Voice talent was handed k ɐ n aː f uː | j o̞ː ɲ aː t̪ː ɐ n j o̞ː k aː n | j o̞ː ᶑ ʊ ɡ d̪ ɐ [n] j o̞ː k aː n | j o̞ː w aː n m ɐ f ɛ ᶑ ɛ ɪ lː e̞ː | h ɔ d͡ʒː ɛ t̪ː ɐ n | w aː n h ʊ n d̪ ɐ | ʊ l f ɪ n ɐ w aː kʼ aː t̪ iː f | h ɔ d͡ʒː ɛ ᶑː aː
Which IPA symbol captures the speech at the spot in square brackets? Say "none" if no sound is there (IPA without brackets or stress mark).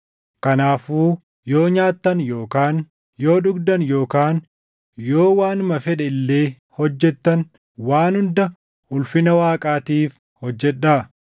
n